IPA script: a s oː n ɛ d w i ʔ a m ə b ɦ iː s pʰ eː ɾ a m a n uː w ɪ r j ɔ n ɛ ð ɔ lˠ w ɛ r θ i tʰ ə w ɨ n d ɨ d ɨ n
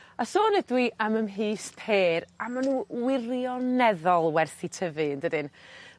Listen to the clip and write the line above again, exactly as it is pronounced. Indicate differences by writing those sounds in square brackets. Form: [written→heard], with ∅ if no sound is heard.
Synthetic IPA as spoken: a s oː n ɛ d w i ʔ a m ə [b→m] ɦ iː s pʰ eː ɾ a m a n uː w ɪ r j ɔ n ɛ ð ɔ lˠ w ɛ r θ i tʰ ə [w→v] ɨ n d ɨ d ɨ n